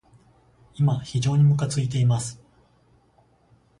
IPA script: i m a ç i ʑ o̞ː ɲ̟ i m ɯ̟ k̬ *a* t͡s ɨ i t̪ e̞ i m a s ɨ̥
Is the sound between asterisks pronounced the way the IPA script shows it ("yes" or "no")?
yes